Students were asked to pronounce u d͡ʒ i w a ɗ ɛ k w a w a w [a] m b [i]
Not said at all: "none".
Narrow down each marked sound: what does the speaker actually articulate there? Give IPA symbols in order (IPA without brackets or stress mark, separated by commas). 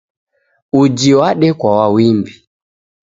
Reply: i, i